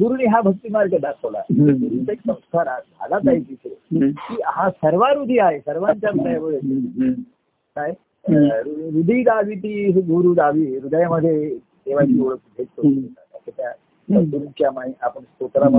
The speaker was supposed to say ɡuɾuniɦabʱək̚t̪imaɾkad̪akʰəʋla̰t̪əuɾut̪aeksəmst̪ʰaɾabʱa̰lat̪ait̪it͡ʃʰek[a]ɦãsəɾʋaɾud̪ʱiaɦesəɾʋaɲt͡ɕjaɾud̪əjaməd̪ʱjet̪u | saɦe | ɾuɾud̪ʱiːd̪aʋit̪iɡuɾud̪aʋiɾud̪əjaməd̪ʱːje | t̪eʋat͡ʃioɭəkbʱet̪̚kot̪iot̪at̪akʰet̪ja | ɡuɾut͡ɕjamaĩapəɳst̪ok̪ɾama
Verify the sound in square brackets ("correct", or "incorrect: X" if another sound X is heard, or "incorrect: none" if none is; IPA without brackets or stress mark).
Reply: incorrect: i